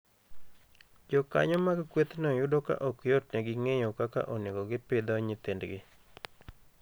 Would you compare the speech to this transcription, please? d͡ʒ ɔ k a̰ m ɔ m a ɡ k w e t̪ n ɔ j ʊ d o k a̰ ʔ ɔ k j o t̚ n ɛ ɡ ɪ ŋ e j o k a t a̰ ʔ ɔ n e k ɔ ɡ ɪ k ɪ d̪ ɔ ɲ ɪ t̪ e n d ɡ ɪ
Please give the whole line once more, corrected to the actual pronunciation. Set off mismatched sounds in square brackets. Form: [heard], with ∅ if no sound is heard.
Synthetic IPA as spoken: d͡ʒ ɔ k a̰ [ɲ] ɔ m a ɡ k w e t̪ n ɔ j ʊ d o k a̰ ʔ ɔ k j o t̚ n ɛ ɡ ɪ ŋ e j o k a [k] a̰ ʔ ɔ n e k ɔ ɡ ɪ [p] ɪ d̪ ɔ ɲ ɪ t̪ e n d ɡ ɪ